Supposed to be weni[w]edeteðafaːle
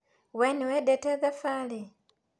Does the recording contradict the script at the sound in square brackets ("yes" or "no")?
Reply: no